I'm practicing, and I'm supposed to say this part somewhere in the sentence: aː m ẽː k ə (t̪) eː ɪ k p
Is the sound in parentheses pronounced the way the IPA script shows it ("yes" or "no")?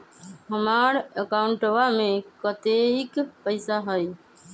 yes